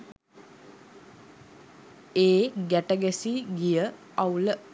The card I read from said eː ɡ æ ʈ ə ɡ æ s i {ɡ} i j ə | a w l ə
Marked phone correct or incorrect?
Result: correct